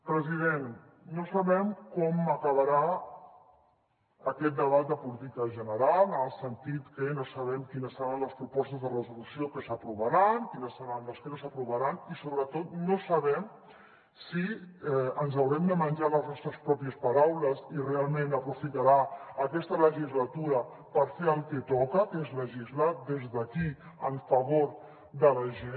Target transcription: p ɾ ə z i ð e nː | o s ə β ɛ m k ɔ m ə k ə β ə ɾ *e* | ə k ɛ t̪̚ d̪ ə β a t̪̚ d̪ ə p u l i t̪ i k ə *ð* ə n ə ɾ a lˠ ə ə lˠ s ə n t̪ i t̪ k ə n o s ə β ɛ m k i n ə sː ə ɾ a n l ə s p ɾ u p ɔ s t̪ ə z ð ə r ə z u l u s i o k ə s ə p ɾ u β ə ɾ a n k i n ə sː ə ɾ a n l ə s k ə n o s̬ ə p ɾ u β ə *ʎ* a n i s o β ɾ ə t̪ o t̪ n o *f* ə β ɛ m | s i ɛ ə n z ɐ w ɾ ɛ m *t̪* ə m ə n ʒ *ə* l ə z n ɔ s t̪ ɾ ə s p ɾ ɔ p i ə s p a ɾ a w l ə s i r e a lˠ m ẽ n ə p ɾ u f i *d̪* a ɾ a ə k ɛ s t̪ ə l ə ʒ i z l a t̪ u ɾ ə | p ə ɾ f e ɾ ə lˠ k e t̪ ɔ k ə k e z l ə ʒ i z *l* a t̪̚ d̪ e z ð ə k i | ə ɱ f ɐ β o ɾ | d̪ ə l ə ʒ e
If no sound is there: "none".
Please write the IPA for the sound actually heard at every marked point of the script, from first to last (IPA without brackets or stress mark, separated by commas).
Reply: a, ʒ, ɾ, s, d̪, a, t̪, l